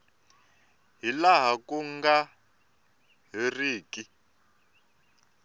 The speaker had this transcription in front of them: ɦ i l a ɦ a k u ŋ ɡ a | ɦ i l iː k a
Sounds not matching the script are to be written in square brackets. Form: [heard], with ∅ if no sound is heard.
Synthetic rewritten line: ɦ i l a ɦ a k u ŋ ɡ a | ɦ i [r] iː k [i]